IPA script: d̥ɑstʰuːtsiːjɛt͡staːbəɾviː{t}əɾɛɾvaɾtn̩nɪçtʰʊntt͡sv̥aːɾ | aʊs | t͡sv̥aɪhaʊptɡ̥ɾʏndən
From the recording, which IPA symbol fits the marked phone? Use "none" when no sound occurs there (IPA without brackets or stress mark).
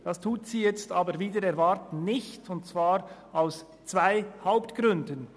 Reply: d